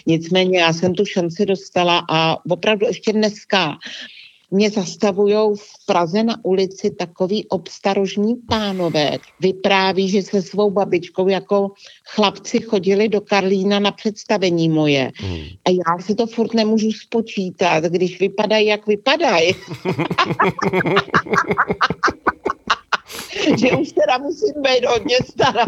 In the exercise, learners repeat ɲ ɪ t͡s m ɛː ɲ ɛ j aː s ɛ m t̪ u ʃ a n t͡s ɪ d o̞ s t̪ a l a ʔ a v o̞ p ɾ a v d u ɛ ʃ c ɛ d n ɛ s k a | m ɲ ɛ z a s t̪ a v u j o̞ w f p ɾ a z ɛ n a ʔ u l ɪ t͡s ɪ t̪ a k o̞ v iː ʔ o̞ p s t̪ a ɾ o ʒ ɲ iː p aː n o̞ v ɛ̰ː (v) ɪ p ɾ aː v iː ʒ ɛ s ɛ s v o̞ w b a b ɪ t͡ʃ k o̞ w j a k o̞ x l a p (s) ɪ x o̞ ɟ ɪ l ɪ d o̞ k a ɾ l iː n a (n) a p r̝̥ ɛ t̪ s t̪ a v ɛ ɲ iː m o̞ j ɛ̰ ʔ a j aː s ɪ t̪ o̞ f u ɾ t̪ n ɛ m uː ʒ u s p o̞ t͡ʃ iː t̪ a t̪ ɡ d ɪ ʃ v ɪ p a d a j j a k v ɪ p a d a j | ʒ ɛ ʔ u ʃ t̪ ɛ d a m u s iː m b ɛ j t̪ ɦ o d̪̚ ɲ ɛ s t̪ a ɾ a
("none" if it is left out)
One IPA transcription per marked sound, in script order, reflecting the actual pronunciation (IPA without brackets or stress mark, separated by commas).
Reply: v, t͡s, n